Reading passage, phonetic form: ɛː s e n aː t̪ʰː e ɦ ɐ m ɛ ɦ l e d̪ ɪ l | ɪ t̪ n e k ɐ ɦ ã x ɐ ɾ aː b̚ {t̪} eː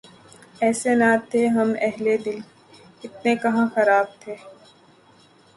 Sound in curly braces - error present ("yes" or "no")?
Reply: yes